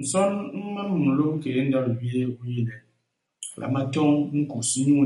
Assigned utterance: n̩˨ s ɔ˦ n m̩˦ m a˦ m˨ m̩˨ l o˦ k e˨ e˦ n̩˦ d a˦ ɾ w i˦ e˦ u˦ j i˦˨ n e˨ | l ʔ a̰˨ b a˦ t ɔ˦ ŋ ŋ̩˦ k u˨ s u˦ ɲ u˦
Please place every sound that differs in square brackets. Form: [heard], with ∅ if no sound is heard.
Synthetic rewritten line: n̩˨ s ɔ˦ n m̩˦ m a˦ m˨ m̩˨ l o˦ k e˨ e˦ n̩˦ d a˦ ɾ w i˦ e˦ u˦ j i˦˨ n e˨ | l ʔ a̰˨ [m] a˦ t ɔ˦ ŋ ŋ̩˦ k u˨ s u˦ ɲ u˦